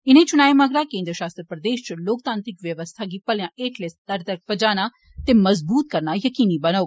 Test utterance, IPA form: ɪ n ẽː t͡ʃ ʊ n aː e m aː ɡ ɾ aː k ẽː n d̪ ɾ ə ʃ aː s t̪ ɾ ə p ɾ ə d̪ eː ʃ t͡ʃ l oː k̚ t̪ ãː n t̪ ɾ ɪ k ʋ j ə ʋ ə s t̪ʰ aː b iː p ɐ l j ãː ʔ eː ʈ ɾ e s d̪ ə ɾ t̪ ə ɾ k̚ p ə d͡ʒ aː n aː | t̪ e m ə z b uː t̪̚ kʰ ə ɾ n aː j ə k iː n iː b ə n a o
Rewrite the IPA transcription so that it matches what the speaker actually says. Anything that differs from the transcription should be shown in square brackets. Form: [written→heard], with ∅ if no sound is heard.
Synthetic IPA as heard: ɪ n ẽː t͡ʃ ʊ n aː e m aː ɡ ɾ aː k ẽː n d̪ ɾ ə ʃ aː s t̪ ɾ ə p ɾ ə d̪ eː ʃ t͡ʃ l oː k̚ t̪ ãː n t̪ ɾ ɪ k ʋ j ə ʋ ə s t̪ʰ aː [b→ɡ] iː p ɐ l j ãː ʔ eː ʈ [ɾ→l] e s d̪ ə ɾ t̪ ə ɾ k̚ p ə d͡ʒ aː n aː | t̪ e m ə z b uː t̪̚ [kʰ→k] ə ɾ n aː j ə k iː n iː b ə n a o